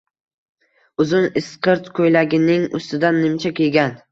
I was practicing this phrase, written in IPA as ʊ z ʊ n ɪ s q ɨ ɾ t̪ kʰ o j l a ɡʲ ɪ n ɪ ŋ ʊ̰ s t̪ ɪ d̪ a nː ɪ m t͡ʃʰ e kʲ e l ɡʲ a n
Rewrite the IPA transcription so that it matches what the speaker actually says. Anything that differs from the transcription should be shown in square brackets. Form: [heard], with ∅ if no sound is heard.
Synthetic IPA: ʊ z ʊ n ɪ s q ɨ ɾ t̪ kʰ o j l a ɡʲ ɪ n ɪ ŋ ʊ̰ s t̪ ɪ d̪ a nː ɪ m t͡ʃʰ [a] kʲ e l ɡʲ a n